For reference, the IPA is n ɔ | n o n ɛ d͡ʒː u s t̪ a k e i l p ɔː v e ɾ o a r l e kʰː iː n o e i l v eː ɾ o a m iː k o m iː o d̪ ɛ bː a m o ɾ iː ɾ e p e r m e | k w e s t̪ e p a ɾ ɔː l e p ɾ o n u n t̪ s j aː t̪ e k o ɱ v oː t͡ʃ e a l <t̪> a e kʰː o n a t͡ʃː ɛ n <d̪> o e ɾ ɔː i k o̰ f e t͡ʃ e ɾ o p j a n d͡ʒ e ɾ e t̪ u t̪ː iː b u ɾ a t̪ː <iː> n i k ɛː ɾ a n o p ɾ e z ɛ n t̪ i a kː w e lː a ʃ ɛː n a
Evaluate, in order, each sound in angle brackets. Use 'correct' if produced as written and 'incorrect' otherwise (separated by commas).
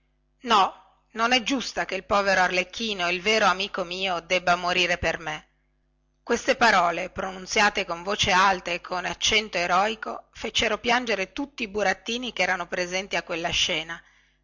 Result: correct, incorrect, correct